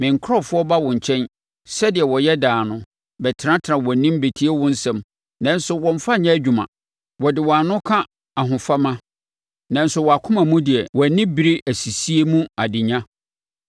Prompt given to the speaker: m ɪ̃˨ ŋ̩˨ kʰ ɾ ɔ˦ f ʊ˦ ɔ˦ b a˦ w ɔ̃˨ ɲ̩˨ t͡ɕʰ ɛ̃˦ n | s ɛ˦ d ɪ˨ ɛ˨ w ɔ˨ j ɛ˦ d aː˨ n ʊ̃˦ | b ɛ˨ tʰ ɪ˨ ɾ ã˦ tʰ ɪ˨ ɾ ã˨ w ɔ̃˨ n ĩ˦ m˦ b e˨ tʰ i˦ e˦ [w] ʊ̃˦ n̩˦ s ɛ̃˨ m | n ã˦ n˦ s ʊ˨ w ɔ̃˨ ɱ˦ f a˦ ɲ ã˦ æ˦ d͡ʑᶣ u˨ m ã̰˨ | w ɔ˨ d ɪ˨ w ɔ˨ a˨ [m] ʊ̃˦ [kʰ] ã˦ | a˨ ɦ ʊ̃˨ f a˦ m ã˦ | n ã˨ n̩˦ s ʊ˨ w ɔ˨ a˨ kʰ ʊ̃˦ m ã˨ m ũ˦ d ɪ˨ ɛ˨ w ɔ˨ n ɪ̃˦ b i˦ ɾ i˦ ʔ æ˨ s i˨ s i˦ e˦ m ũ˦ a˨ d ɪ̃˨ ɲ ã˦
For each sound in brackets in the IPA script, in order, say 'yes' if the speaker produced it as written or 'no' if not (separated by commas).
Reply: yes, no, yes